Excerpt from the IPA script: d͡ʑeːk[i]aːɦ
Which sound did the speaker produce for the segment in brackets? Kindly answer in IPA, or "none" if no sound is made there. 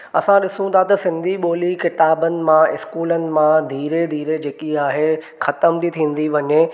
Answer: i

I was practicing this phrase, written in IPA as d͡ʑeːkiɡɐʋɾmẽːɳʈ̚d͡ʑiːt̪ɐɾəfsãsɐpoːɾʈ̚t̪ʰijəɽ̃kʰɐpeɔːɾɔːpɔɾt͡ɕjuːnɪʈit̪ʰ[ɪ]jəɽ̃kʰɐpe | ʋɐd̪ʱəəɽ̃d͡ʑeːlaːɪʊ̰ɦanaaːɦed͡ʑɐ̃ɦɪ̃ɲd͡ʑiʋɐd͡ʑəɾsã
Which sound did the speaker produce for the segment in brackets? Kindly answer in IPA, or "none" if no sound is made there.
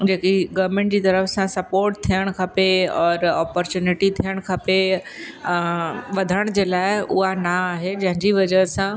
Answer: i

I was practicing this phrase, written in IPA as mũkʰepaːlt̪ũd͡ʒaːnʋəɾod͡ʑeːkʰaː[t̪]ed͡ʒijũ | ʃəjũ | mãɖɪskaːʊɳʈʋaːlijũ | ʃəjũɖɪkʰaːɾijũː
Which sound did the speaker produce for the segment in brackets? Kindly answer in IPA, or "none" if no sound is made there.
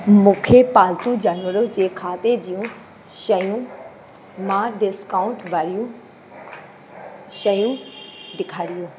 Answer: t̪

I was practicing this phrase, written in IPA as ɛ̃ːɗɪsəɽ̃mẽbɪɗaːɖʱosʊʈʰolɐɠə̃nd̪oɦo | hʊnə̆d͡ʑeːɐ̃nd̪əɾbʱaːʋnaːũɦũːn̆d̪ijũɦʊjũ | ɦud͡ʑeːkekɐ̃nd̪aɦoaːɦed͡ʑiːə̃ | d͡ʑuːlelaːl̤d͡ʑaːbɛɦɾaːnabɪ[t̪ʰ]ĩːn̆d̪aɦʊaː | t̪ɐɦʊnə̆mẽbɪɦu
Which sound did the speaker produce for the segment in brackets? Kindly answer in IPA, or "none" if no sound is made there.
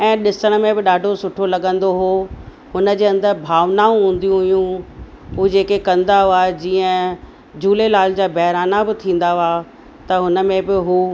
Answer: t̪ʰ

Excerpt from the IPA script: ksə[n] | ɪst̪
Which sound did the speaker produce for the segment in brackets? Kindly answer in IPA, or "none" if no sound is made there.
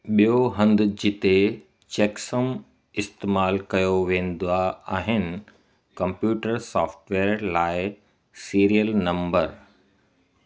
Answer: m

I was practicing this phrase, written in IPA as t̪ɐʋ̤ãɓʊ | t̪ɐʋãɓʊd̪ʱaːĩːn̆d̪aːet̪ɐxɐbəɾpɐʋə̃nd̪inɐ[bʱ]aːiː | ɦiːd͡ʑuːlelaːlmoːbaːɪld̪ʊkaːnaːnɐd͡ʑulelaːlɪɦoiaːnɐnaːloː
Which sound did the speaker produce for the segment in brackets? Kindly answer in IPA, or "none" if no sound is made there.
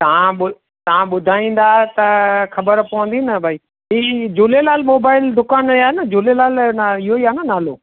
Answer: bʱ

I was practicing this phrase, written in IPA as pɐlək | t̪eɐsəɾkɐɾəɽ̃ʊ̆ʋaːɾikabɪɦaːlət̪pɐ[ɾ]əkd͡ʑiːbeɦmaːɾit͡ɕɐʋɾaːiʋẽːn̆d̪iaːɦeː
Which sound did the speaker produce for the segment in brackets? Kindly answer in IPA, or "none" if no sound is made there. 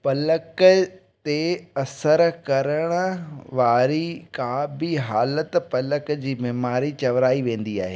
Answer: l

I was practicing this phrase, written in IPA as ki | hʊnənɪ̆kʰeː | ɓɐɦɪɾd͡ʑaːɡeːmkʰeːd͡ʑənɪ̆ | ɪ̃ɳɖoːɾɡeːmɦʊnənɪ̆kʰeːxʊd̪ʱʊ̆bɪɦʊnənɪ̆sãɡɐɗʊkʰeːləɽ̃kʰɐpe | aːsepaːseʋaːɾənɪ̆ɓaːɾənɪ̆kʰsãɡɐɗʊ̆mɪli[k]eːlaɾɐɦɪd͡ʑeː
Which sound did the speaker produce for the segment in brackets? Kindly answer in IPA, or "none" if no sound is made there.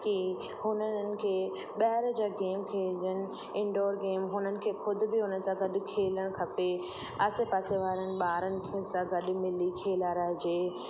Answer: kʰ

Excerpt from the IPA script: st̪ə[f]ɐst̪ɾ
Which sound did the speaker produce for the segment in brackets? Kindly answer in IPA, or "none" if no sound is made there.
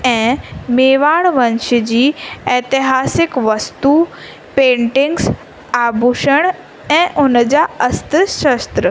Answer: ʃ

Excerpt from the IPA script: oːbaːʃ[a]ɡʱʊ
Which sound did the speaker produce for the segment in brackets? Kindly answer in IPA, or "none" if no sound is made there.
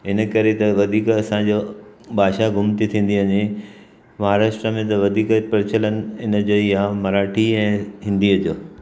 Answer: a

